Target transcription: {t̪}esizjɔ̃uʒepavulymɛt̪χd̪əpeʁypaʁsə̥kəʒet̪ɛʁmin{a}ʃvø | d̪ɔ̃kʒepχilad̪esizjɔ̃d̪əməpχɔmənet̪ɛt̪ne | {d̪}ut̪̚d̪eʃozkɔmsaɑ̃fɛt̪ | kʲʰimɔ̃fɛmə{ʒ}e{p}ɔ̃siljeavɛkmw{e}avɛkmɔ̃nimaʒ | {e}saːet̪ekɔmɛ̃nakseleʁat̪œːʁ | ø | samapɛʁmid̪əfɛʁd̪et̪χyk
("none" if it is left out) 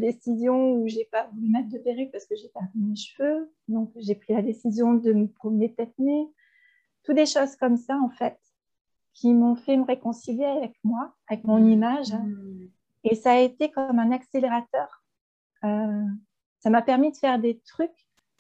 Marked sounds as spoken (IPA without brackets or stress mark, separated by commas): d̪, e, t̪, ʁ, k, a, e